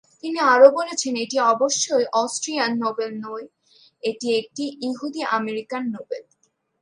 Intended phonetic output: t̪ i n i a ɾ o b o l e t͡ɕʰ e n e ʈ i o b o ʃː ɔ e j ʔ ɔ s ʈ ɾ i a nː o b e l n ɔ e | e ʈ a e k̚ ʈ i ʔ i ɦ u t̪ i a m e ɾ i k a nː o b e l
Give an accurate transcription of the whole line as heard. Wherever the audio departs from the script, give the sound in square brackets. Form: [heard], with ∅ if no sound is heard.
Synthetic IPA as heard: t̪ i n i a ɾ o b o l e t͡ɕʰ e n e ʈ i [ɔ] b o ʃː [o] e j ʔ ɔ s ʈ ɾ i a nː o b e l n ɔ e | e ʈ [i] e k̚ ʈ i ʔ i ɦ u [d̪] i a m e ɾ i k a nː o b e l